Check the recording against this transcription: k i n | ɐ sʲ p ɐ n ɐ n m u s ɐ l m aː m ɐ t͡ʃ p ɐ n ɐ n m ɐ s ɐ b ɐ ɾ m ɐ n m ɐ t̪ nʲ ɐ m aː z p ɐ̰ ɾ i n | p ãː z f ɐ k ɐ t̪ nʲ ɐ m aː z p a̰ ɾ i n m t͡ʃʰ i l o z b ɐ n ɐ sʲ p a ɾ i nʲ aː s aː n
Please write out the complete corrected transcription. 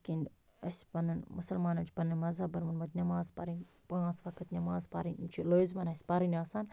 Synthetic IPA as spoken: k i n | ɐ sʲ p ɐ n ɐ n m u s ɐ l m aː n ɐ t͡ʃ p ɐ n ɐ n m ɐ z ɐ b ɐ ɾ m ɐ n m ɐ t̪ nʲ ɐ m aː z p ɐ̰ ɾ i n | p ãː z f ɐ k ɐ t̪ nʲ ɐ m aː z p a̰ ɾ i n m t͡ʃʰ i l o z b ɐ n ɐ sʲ p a ɾ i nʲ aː s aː n